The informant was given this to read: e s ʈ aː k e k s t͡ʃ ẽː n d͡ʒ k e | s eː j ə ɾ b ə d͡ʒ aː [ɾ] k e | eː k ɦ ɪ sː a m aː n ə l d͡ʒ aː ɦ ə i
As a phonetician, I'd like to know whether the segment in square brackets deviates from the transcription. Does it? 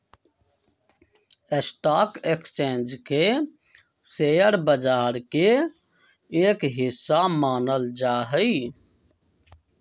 no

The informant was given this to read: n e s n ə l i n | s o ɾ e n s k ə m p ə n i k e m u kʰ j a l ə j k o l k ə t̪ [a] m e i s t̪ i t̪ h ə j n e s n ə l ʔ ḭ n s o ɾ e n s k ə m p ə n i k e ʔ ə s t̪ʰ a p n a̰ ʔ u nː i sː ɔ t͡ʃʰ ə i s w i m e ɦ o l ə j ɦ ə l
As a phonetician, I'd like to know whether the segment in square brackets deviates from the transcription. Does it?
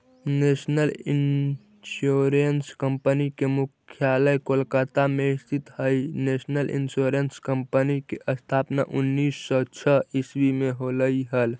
no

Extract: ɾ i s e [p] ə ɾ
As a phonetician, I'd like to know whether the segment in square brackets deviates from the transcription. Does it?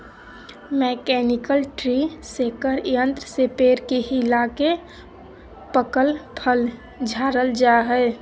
yes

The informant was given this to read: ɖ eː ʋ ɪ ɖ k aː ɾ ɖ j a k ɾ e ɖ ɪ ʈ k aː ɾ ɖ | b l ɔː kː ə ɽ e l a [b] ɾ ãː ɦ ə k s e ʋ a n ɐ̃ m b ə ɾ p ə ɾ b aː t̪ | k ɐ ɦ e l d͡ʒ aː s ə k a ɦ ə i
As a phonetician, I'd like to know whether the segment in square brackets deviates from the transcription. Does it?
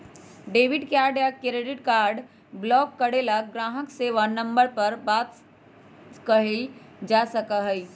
yes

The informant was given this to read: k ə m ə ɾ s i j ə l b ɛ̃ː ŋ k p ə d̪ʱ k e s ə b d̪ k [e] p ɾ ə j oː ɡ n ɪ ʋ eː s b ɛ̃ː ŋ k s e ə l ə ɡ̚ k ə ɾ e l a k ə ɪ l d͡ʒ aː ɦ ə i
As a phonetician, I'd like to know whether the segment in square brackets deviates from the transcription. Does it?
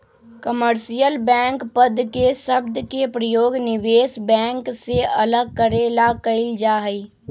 no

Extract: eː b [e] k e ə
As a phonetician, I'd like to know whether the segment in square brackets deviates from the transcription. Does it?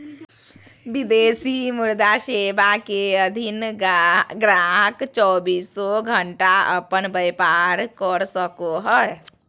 yes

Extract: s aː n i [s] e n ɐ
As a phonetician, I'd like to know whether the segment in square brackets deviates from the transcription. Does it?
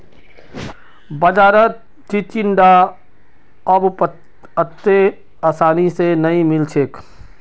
no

